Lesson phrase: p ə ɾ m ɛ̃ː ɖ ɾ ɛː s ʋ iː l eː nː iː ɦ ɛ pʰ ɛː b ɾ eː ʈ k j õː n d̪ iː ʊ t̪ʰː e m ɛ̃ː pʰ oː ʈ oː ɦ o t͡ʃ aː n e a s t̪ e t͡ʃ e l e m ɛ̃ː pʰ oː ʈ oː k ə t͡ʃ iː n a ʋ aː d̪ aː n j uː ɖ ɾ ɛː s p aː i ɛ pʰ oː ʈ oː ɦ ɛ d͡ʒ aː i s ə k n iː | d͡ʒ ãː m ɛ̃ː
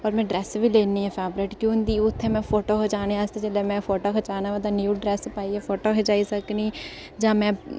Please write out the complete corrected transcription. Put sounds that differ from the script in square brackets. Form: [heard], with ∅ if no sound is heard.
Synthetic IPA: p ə ɾ m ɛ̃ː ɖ ɾ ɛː s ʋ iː l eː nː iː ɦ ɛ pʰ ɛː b ɾ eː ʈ k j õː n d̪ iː ʊ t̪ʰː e m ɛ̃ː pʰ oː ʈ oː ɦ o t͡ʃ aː n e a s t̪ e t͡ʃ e l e m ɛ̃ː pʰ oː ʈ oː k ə t͡ʃ [aː] n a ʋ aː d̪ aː n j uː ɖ ɾ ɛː s p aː i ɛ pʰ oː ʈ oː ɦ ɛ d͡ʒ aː i s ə k n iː | d͡ʒ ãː m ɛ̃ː